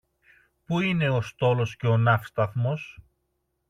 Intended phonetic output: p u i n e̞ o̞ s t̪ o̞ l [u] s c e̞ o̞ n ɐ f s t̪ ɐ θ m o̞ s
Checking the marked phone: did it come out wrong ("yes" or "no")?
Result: yes